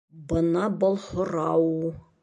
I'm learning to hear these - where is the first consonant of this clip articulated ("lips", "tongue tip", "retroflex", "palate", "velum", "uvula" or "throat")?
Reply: lips